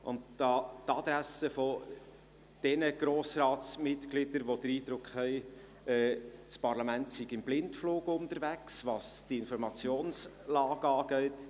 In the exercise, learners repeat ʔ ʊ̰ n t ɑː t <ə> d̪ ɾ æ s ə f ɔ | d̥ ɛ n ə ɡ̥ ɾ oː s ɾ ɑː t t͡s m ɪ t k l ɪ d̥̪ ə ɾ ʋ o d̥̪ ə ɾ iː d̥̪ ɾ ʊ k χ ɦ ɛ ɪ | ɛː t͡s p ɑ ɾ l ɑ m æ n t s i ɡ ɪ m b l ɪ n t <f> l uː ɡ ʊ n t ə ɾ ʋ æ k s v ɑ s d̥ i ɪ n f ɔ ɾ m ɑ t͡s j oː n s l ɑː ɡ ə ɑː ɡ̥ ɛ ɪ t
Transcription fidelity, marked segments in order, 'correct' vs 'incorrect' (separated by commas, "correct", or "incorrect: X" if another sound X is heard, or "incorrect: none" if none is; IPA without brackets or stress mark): incorrect: ɑ, correct